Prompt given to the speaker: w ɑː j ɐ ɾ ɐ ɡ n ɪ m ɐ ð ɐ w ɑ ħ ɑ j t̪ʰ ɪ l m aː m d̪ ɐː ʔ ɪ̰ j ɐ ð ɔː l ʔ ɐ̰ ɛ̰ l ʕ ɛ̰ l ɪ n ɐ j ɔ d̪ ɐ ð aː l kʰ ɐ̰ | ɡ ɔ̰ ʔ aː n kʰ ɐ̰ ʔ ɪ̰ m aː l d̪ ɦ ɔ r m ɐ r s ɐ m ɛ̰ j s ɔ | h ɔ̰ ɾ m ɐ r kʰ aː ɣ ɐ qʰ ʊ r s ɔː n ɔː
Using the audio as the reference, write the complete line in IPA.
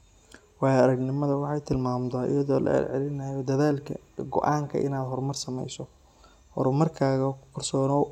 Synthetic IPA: w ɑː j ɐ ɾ ɐ ɡ n ɪ m ɐ ð ɐ w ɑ ħ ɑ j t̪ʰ ɪ l m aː m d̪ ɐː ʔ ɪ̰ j ɐ ð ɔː l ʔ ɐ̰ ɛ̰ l ʕ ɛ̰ l ɪ n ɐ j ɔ d̪ ɐ ð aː l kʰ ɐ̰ | ɡ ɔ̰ ʔ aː ŋ kʰ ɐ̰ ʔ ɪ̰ n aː d̪ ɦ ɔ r m ɐ r s ɐ m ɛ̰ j s ɔ | h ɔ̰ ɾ m ɐ r kʰ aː ɣ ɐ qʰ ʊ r s ɔː n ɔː

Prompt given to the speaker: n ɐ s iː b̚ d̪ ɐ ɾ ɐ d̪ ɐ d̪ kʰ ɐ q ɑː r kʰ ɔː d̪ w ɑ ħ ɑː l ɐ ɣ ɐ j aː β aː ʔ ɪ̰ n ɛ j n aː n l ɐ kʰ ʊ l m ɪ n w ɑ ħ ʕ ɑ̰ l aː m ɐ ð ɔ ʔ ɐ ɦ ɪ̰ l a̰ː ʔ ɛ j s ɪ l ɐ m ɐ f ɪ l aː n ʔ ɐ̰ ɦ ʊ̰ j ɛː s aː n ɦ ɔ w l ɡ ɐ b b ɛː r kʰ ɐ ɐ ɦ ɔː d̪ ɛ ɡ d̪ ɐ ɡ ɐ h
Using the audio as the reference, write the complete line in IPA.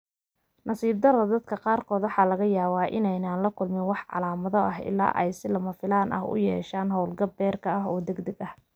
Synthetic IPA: n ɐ s iː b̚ d̪ ɐ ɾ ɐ d̪ ɐ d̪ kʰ ɐ q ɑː r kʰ ɔː d̪ w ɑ ħ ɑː l ɐ ɣ ɐ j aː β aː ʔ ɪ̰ n ɛ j n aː n l ɐ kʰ ʊ l m ɪ n w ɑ ħ ʕ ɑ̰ l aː m ɐ ð ɔ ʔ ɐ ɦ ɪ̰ l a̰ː ʔ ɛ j s ɪ l ɐ m ɐ f ɪ l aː n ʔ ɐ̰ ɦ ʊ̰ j ɛː ʃ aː n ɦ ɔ w l ɡ ɐ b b ɛː r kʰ ɐ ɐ ɦ ɔː d̪ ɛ ɡ d̪ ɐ ɡ ɐ h

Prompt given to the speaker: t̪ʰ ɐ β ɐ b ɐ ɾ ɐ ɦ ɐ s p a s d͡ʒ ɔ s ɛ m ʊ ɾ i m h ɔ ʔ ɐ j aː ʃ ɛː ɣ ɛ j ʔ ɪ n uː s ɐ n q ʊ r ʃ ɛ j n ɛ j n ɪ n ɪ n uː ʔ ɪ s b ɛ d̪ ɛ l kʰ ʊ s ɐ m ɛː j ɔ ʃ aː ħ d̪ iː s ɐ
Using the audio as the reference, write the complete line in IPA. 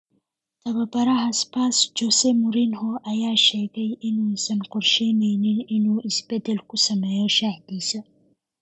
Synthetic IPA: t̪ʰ ɐ β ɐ b ɐ ɾ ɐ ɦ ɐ s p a s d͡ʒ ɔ s ɛ m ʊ ɾ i n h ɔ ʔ ɐ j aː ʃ ɛː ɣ ɛ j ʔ ɪ n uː s ɐ n q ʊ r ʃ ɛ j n ɛ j n ɪ n ɪ n uː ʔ ɪ s b ɛ d̪ ɛ l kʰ ʊ s ɐ m ɛː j ɔ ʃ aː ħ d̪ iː s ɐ

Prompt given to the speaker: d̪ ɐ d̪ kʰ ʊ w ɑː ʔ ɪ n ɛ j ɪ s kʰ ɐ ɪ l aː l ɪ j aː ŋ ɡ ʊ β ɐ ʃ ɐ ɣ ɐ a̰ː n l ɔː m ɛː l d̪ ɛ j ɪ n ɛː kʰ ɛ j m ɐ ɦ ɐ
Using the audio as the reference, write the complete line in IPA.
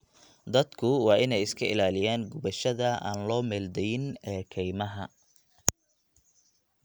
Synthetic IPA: d̪ ɐ d̪ kʰ ʊ w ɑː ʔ ɪ n ɛ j ɪ s kʰ ɐ ɪ l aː l ɪ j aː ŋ ɡ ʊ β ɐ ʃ ɐ ð ɐ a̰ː n l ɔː m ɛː l d̪ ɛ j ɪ n ɛː kʰ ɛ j m ɐ ɦ ɐ

